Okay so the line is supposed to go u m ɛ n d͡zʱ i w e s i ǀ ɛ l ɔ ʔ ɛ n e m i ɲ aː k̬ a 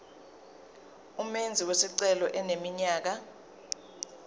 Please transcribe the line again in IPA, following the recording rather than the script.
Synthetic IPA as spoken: u m e n d͡zʱ i w e s i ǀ ɛ l ɔ ʔ ɛ n e m i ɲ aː k̬ a